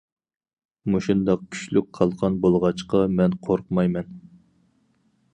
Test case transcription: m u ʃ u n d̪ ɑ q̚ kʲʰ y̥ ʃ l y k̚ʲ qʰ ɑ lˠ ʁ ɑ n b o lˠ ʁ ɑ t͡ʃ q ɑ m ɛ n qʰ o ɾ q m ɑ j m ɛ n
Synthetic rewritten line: m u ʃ u n d̪ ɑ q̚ kʲʰ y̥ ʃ l y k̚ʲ qʰ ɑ lˠ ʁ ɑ n b o lˠ ʁ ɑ t͡ʃ q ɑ m ɛ n qʰ o ɾ q m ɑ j m ɛ n